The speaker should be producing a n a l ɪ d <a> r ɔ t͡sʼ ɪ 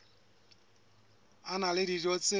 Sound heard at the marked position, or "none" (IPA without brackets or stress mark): i